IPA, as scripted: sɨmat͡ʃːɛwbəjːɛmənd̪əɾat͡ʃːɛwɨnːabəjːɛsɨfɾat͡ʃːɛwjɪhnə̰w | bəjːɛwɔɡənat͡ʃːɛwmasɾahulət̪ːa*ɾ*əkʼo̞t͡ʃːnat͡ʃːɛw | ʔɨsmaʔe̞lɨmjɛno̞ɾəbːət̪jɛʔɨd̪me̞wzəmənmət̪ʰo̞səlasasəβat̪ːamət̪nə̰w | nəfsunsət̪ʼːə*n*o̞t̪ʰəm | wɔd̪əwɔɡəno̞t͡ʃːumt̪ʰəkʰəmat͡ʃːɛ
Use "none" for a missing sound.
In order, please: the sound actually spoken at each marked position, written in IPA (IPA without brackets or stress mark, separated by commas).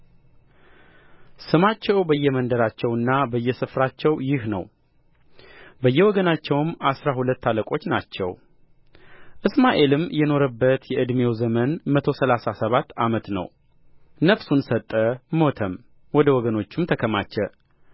l, m